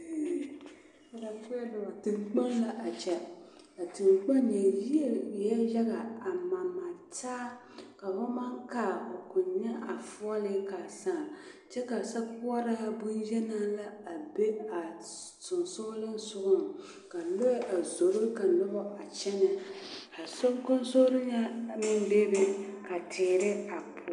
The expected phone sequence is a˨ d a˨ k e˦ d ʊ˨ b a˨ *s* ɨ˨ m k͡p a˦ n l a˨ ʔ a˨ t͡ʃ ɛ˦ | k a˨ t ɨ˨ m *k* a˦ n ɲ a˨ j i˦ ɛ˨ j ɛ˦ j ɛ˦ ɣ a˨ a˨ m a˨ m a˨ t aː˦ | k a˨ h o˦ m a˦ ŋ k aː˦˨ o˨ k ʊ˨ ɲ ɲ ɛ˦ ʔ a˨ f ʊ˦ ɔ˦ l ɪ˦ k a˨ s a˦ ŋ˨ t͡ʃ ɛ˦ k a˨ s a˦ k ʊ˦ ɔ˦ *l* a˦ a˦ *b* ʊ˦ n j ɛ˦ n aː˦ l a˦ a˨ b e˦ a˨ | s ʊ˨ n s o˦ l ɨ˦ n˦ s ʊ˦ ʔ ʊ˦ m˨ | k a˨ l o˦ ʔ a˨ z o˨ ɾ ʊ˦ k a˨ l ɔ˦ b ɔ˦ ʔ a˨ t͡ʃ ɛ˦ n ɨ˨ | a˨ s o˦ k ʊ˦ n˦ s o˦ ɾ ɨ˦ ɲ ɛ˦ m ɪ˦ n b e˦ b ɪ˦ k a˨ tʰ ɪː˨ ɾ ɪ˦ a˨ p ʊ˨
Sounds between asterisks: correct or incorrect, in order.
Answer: incorrect, incorrect, incorrect, correct

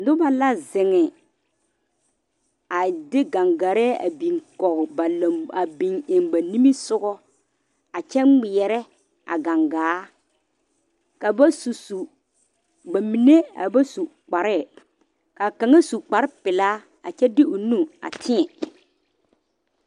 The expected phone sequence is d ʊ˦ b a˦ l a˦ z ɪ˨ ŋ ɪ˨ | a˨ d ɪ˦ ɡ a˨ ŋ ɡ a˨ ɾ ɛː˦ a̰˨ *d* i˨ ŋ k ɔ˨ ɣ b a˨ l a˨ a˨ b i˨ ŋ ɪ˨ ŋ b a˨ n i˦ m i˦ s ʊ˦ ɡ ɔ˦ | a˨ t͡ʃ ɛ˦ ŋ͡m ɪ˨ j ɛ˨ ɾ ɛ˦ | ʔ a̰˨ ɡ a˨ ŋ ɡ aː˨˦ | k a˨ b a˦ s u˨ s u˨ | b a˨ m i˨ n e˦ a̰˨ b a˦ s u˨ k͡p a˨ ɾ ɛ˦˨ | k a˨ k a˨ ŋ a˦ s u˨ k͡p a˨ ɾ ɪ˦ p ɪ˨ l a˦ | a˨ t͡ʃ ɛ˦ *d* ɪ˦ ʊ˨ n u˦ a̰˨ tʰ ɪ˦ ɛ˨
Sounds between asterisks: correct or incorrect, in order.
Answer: incorrect, correct

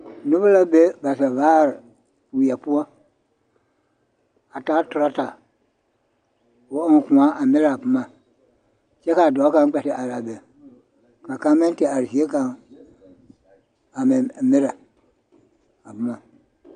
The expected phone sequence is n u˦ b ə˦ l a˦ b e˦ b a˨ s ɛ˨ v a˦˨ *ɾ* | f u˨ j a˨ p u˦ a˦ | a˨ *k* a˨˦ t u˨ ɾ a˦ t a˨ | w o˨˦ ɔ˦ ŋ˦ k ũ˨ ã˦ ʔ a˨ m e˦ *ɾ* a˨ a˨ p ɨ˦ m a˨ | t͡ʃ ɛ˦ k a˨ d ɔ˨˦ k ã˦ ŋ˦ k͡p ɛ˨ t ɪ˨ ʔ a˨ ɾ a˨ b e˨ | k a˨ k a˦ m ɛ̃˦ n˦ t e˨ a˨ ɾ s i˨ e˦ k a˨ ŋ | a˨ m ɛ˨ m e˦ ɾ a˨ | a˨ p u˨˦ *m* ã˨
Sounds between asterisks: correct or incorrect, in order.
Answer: correct, incorrect, correct, correct

